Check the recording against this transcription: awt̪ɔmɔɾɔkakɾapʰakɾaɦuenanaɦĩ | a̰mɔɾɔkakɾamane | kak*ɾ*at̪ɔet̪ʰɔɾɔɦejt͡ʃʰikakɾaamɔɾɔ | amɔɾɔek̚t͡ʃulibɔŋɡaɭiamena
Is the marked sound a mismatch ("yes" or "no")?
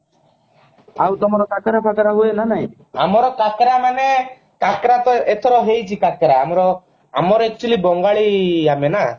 no